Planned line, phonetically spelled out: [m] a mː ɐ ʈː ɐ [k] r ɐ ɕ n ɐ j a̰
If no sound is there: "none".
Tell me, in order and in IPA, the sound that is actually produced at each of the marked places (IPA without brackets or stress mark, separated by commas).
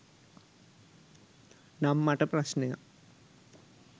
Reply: n, p